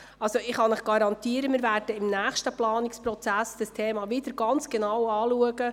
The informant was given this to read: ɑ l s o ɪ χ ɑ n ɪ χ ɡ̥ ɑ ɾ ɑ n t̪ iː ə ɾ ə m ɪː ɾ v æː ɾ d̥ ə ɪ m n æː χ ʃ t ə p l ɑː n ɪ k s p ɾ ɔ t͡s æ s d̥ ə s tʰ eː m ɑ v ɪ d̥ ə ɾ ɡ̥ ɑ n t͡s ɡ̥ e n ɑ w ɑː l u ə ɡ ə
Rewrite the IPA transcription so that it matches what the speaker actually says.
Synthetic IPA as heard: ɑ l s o ɪ χ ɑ n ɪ χ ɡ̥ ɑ ɾ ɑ n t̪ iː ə ɾ ə m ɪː ɾ v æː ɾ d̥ ə ɪ m n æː χ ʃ t ə p l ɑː n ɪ k s p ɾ ɔ t͡s æ s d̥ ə s tʰ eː m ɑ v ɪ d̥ ə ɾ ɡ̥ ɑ n t͡s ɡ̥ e n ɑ w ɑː l u ə ɡ ə